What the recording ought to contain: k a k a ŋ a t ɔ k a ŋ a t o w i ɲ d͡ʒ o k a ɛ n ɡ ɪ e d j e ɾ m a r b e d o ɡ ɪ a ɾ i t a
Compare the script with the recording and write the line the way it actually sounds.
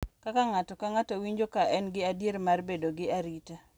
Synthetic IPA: k a k a ŋ a t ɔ k a ŋ a t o w i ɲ d͡ʒ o k a ɛ n ɡ ɪ a d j e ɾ m a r b e d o ɡ ɪ a ɾ i t a